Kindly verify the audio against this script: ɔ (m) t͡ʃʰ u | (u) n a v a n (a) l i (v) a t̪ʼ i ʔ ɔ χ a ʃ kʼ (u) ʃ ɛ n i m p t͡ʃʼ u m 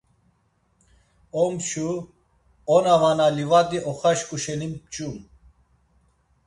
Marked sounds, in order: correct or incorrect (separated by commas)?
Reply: correct, incorrect, correct, correct, correct